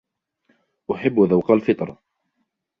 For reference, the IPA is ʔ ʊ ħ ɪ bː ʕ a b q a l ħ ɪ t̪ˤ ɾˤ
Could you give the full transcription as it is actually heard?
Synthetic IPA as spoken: ʔ ʊ ħ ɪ bː ð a w q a l f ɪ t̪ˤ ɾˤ